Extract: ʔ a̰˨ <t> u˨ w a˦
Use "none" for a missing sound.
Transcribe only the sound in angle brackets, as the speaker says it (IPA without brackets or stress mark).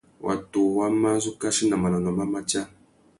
t